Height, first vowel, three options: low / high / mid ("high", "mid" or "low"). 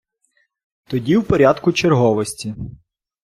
mid